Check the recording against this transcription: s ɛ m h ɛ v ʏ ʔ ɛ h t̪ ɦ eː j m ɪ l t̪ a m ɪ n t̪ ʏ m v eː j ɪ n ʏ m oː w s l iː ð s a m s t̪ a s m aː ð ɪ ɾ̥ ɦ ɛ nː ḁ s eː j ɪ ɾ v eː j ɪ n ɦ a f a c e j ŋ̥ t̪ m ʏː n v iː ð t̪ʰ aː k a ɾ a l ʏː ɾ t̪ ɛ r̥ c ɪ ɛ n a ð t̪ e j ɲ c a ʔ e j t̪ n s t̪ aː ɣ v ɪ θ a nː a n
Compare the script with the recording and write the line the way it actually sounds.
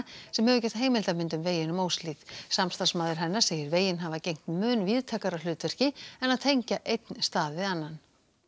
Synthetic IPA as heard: s ɛ m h ɛ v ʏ c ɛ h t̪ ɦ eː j m ɪ l t̪ a m ɪ n t̪ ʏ m v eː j ɪ n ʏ m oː w s l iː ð s a m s t̪ a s m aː ð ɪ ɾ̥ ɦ ɛ nː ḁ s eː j ɪ ɾ v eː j ɪ n ɦ a v a c e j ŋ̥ t̪ m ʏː n v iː ð t̪ʰ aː k a ɾ a l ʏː t̪ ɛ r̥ c ɪ ɛ n a ð t̪ʰ e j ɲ c a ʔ e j t̪ n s t̪ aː ð v ɪ ð a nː a n

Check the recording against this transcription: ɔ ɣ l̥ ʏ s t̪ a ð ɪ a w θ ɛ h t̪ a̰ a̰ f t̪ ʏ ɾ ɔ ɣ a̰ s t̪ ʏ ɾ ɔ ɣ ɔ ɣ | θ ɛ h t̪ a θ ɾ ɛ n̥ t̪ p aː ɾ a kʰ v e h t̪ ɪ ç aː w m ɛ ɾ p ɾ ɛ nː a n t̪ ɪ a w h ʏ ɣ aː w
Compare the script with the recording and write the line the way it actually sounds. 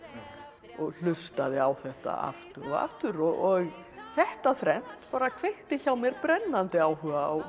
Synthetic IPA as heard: ɔ ɣ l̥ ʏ s t̪ a ð ɪ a w θ ɛ h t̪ a̰ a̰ f t̪ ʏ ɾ ɔ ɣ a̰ f t̪ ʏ ɾ ɔ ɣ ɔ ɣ | θ ɛ h t̪ a θ ɾ ɛ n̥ t̪ p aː ɾ a kʰ v e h t̪ ɪ ç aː w m ɛ ɾ p ɾ ɛ nː a n t̪ ɪ a w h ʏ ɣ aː w

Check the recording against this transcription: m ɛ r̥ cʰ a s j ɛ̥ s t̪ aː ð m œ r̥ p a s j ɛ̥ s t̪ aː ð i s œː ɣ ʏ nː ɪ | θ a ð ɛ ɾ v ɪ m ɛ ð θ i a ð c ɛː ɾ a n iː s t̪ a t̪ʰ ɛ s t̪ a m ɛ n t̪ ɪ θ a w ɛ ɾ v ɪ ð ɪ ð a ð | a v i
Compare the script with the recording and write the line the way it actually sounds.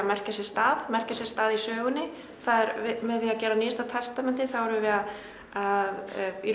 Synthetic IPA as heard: m ɛ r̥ c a s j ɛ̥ s t̪ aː ð m ɛ r̥ c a s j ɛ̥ s t̪ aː ð i s œː ɣ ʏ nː ɪ | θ a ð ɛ ɾ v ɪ m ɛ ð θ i a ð c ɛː ɾ a n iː s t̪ a t̪ʰ ɛ s t̪ a m ɛ n t̪ ɪ θ a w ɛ ɾ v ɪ v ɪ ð a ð | a ð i

